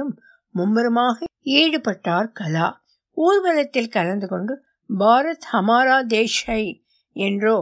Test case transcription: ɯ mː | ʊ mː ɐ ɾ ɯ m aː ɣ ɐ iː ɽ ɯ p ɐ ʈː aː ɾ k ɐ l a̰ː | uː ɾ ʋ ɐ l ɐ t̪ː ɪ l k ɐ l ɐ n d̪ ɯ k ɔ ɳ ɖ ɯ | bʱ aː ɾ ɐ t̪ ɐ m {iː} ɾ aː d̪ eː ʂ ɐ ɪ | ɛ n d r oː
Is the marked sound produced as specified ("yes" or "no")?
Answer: no